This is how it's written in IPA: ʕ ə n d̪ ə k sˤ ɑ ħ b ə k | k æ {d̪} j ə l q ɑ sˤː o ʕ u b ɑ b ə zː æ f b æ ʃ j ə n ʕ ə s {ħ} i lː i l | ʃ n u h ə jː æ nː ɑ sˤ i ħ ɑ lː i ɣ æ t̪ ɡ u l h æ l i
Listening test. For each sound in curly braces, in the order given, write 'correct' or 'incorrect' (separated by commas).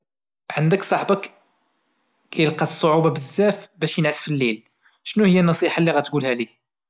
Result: incorrect, incorrect